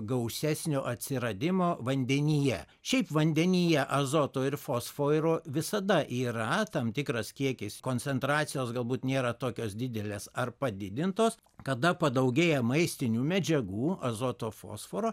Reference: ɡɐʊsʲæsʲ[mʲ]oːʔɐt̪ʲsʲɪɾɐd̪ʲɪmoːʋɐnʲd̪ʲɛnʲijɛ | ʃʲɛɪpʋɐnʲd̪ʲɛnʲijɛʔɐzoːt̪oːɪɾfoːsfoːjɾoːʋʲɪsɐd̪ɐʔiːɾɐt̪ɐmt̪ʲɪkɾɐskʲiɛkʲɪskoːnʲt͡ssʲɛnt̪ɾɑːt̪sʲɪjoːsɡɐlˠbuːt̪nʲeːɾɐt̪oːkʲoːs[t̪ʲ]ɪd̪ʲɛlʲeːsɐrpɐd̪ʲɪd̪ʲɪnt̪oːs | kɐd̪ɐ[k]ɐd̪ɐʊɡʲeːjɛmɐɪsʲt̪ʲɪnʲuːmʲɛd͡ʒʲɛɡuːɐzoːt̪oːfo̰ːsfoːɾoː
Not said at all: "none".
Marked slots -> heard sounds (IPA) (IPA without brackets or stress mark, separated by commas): nʲ, d̪ʲ, p